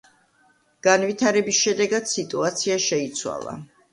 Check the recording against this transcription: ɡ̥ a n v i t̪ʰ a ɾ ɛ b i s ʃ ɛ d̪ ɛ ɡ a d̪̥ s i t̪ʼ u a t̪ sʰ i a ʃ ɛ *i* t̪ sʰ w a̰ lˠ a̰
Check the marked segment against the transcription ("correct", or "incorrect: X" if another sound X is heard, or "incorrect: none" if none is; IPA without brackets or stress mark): correct